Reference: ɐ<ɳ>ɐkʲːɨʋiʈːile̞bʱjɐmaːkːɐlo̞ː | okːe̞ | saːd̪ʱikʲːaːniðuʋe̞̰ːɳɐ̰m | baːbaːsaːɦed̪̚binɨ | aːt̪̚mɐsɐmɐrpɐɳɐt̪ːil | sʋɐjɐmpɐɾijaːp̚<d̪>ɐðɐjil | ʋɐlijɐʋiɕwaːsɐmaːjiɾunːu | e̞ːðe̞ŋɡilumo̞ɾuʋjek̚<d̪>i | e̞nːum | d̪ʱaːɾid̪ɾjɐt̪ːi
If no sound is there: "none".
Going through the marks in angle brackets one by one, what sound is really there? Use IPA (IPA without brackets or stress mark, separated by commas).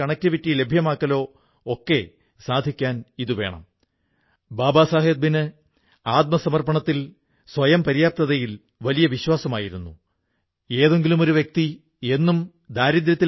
ɳ, t̪, t̪